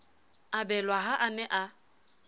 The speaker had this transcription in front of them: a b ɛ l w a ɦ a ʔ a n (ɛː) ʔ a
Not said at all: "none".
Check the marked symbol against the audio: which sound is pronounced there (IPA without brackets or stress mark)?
ɛ